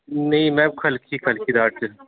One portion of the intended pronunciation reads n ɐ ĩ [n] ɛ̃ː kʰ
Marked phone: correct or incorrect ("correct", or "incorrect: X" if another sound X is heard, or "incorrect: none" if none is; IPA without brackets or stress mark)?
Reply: incorrect: m